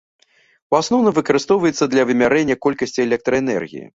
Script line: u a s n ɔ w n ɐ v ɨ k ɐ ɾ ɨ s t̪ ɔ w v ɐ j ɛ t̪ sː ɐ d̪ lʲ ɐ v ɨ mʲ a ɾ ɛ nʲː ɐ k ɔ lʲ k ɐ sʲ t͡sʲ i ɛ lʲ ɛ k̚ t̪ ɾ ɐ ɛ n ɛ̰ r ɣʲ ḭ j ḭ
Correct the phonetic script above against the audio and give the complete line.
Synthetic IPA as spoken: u a s n ɔ w n ɐ v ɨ k ɐ ɾ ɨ s t̪ ɔ w v ɐ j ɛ t̪ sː ɐ d̪ lʲ ɐ v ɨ mʲ a ɾ ɛ nʲː ɐ k ɔ lʲ k ɐ sʲ t͡sʲ i ɛ lʲ ɛ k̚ t̪ ɾ ɐ ɛ n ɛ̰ r ɣʲ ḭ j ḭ